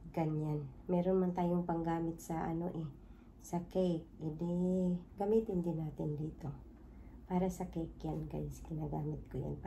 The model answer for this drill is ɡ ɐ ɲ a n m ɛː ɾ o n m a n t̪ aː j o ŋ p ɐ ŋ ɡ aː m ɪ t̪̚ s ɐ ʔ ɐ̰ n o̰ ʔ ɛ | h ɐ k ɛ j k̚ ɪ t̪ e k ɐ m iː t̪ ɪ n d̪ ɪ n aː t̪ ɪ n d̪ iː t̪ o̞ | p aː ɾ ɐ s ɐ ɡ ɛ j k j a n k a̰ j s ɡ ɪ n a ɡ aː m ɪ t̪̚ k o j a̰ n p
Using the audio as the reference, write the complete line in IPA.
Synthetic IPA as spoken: ɡ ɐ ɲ a n m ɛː ɾ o n m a n t̪ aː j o ŋ p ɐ ŋ ɡ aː m ɪ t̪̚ s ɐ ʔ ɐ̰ n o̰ ʔ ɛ | s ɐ k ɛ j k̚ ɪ d̪ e ɡ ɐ m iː t̪ ɪ n d̪ ɪ n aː t̪ ɪ n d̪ iː t̪ o̞ | p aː ɾ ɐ s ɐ k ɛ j k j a n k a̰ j s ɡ ɪ n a ɡ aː m ɪ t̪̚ k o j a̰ n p